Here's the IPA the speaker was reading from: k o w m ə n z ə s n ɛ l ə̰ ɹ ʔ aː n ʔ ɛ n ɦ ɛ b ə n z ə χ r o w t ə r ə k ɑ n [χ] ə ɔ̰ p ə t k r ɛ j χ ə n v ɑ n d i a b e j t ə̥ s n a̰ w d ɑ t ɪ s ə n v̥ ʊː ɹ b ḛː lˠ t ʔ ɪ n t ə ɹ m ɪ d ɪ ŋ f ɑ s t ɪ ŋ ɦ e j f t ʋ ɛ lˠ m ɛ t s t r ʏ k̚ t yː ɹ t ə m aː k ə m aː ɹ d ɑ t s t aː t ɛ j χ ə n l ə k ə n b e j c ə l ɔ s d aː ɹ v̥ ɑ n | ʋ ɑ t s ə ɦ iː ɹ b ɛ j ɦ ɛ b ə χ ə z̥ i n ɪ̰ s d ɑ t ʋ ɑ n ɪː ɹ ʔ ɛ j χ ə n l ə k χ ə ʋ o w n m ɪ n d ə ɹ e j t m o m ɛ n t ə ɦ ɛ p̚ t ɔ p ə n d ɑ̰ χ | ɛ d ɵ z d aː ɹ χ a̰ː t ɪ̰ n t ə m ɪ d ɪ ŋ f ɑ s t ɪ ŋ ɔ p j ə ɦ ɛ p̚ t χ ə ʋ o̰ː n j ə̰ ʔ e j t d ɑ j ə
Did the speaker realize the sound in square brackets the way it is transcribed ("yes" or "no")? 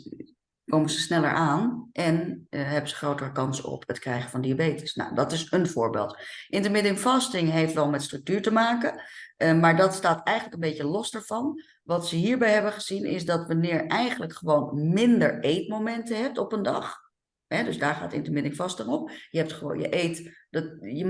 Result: no